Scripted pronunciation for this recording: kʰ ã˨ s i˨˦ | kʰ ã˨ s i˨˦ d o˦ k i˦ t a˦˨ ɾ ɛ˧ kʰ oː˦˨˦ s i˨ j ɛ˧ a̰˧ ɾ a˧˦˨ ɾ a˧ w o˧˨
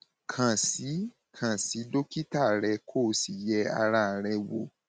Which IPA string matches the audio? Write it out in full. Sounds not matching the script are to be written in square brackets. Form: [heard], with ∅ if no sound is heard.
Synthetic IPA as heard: kʰ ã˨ s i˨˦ | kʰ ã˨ s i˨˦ d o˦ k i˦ t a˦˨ ɾ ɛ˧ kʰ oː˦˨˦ s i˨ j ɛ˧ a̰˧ ɾ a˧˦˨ ɾ [ɛ˧] w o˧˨